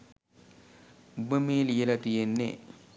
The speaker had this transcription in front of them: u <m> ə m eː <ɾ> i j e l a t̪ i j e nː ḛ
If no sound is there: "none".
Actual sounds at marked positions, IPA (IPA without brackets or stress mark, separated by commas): b, l